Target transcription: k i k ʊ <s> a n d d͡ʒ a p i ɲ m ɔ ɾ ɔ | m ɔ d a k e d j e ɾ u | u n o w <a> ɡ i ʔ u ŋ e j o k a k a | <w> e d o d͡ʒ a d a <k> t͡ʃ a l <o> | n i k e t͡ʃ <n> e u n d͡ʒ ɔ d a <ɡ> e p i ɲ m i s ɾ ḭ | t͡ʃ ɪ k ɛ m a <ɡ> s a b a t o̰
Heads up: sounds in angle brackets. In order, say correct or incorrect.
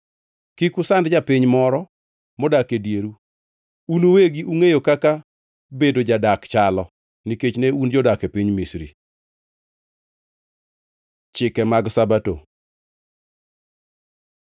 correct, incorrect: e, incorrect: b, correct, incorrect: ɔ, correct, incorrect: k, correct

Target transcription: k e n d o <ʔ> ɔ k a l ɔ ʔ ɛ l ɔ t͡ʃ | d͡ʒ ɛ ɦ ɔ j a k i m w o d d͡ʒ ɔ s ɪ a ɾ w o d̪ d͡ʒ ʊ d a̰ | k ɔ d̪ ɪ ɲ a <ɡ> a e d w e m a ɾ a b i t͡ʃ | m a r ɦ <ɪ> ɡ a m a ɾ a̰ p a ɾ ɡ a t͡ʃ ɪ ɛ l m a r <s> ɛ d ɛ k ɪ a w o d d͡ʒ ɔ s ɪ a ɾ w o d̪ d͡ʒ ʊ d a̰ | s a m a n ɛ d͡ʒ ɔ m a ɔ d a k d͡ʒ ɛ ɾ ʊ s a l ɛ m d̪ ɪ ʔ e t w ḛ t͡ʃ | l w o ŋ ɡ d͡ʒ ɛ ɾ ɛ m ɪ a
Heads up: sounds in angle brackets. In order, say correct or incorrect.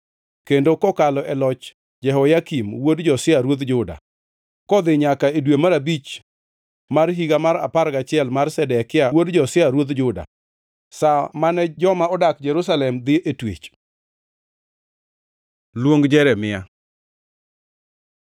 incorrect: k, incorrect: k, incorrect: i, correct

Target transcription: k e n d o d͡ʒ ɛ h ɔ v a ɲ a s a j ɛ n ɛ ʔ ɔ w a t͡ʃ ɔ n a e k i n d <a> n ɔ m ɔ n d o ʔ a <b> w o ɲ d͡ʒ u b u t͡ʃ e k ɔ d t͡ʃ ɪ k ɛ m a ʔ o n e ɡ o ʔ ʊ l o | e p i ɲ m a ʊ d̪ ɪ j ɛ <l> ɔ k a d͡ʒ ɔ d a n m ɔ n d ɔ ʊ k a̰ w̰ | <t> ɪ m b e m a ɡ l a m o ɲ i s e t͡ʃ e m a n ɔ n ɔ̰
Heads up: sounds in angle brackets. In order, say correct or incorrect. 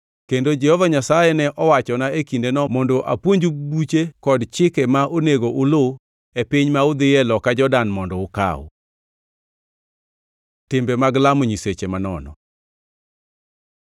incorrect: e, incorrect: p, correct, correct

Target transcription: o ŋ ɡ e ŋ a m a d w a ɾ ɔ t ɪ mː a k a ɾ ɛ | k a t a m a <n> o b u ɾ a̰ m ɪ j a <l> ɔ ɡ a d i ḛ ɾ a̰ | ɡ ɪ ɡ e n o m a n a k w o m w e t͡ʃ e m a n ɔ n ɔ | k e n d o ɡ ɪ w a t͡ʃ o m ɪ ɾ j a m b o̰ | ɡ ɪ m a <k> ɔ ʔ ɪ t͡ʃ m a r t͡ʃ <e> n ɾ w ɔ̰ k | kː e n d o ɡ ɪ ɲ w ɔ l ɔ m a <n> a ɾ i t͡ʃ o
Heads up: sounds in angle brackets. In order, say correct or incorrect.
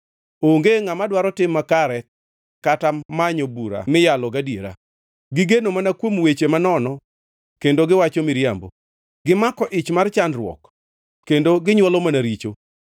incorrect: ɲ, correct, correct, incorrect: a, correct

